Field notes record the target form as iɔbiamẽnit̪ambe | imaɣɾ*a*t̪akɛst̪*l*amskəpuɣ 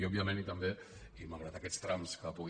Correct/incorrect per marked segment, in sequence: correct, incorrect: ɾ

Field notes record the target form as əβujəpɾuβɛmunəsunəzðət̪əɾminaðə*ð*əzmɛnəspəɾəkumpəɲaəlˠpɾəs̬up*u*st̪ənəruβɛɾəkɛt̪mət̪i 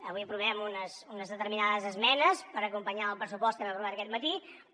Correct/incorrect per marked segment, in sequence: incorrect: z, incorrect: ɔ

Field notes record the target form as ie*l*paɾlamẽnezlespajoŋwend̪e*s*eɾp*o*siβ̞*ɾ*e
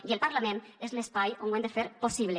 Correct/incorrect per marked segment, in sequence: correct, incorrect: f, correct, incorrect: l

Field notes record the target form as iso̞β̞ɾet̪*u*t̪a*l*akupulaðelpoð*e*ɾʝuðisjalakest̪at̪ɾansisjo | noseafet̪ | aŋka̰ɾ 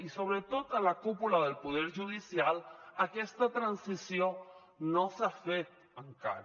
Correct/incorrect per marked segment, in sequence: incorrect: o, correct, correct

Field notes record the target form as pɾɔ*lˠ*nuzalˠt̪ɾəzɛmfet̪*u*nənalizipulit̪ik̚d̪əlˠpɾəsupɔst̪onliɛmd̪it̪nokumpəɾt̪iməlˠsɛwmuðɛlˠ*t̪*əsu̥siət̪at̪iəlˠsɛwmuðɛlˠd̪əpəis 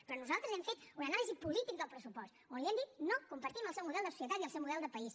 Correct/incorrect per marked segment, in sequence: incorrect: none, correct, incorrect: d̪

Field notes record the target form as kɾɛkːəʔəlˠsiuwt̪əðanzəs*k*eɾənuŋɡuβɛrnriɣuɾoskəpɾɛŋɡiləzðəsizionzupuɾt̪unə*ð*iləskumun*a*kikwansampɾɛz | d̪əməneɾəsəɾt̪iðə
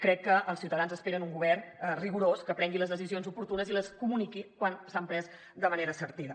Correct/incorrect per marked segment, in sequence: incorrect: p, incorrect: z, incorrect: i

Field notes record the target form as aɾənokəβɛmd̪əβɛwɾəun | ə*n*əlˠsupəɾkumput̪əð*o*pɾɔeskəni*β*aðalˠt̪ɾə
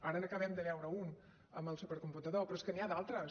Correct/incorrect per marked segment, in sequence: incorrect: m, correct, incorrect: none

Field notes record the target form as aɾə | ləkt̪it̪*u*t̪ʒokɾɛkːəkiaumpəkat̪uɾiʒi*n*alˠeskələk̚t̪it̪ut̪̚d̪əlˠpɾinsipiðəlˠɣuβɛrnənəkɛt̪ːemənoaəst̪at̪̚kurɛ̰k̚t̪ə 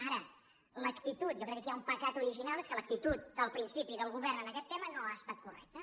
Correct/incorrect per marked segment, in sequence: correct, correct

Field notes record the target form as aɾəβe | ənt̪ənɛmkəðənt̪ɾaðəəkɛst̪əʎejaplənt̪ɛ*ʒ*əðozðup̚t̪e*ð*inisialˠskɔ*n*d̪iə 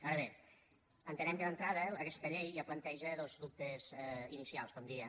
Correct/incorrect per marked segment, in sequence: correct, incorrect: z, incorrect: m

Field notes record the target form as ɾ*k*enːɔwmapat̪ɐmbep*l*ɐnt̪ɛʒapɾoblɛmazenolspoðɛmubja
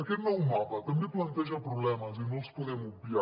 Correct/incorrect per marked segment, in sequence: correct, correct

